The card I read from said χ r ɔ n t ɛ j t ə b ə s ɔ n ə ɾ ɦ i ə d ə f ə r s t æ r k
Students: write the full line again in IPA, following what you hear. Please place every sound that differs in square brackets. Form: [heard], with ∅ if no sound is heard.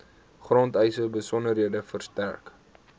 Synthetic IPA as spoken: χ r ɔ n t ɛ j [s] ə b ə s ɔ n ə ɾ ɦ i ə d ə f ə r s t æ r k